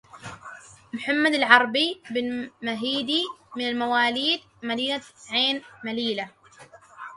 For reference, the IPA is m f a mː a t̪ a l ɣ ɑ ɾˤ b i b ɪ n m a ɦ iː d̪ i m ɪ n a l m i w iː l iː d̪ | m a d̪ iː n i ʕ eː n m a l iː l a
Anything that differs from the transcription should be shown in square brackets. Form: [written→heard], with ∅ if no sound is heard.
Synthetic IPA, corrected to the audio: m [f→ħ] a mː a [t̪→d̪] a l [ɣ→ʕ] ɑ ɾˤ b i b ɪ n m a ɦ iː d̪ i m ɪ n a l m [i→a] w [iː→aː] l iː d̪ | m a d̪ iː n [i→a] ʕ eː n m a l iː l a